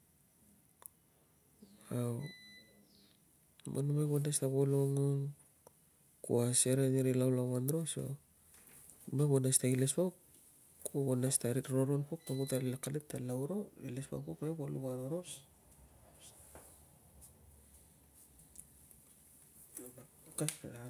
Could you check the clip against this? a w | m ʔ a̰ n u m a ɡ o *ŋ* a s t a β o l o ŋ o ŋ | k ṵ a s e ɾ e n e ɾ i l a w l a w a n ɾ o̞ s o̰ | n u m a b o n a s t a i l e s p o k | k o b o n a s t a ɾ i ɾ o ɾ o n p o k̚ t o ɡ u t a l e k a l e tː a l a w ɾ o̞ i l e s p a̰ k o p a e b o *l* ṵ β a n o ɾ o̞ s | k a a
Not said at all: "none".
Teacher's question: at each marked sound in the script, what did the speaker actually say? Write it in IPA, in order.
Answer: n, l

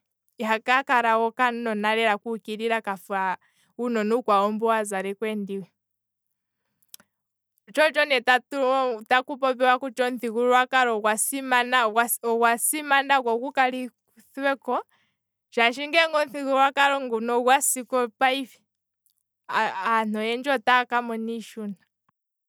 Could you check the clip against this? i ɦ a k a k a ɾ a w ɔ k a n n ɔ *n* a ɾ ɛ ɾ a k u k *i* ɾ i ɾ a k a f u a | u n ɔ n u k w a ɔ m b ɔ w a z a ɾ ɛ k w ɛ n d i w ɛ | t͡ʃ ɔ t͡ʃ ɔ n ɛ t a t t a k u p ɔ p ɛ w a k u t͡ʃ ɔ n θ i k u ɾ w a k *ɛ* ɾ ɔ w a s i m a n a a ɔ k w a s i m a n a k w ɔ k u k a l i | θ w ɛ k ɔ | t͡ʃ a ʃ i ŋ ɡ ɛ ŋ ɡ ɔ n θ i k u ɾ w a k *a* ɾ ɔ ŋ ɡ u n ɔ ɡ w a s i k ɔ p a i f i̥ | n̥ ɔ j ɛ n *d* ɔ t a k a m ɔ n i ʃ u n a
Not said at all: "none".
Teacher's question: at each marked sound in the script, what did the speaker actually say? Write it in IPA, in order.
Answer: n, i, a, a, d͡ʒ

